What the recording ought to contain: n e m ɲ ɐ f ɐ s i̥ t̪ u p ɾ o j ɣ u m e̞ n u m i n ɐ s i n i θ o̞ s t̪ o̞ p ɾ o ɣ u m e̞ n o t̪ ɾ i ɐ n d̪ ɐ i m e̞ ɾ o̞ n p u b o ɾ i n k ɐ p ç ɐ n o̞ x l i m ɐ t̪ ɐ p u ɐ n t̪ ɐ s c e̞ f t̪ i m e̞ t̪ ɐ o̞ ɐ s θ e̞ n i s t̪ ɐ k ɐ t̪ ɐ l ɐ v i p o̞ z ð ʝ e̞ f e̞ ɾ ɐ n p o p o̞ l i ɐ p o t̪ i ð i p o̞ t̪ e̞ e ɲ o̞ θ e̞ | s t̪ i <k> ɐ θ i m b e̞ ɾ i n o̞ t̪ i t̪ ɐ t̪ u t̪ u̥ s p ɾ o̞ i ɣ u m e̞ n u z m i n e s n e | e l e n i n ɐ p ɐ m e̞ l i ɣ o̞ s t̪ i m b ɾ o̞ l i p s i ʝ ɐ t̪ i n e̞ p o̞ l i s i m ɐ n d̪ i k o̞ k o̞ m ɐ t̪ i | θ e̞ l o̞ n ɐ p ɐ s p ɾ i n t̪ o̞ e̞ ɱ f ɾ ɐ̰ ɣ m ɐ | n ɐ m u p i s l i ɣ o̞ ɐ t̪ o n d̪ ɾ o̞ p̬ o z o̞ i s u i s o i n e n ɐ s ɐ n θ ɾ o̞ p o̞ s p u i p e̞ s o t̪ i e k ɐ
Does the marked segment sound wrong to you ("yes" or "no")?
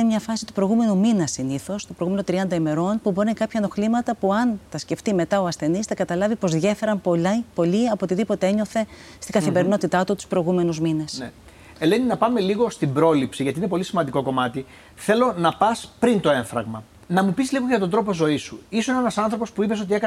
yes